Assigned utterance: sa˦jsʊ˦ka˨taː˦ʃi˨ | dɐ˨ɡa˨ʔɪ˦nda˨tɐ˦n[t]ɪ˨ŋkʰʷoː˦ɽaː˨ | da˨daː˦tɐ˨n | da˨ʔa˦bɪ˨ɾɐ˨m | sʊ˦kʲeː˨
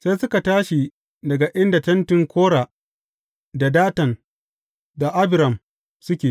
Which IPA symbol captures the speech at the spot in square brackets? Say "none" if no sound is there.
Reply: t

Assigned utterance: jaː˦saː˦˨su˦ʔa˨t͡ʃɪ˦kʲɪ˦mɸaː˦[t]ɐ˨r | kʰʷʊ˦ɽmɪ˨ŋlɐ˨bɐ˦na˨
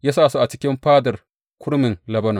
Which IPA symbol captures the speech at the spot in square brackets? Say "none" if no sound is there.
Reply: d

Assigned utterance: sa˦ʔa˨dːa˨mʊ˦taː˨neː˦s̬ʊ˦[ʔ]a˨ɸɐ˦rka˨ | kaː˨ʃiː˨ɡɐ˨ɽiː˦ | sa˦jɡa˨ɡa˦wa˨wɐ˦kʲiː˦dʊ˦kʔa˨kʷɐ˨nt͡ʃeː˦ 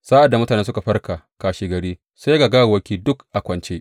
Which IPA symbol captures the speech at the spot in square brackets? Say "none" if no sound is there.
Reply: k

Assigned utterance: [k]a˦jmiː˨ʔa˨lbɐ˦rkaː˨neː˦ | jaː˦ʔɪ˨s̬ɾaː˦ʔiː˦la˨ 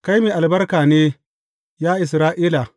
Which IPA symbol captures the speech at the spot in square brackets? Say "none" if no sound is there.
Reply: k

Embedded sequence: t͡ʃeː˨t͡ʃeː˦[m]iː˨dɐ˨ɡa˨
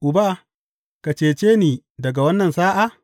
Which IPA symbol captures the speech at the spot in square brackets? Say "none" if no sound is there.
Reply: n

